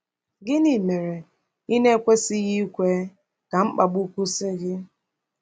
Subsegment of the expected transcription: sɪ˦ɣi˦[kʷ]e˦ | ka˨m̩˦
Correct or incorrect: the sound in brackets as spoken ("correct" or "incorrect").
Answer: correct